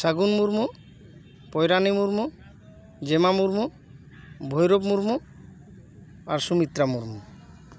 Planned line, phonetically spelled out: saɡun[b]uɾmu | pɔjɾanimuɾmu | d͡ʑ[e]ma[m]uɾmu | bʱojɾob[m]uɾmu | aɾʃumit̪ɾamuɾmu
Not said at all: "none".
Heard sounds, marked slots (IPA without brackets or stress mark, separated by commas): m, e, m, m